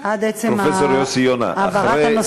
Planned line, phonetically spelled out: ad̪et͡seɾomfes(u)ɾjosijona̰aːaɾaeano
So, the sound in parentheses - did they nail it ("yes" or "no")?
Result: no